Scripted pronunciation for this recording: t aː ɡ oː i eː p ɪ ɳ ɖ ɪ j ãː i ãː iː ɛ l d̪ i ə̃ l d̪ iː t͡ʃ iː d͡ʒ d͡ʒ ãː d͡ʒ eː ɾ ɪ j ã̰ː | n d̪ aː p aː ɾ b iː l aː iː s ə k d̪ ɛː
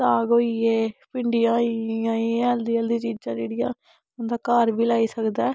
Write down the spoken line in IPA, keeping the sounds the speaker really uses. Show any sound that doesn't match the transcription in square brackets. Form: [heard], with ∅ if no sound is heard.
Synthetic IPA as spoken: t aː ɡ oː i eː p ɪ ɳ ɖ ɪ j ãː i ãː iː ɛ l d̪ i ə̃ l d̪ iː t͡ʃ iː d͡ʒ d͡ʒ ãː d͡ʒ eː [ɽ] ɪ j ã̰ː | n d̪ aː [k] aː ɾ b iː l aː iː s ə k d̪ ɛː